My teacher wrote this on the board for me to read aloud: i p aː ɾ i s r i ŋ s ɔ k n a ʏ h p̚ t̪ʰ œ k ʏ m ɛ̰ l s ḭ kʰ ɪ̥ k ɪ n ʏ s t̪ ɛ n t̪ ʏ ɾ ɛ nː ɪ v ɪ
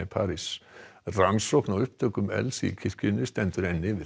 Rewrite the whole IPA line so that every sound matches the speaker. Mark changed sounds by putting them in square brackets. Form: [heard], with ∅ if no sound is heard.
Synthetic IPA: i [pʰ] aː ɾ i s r [a] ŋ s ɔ k n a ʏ h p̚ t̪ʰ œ k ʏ m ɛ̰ l s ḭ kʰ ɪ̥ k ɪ n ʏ s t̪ ɛ n t̪ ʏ ɾ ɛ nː ɪ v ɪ